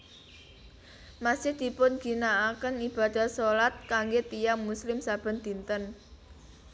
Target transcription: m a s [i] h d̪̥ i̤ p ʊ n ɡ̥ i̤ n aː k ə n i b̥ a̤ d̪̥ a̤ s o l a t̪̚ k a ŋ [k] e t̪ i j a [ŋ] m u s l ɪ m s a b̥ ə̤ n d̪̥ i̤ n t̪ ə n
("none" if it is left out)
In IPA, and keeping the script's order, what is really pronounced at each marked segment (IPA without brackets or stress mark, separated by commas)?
ɪ, ɡ, ŋ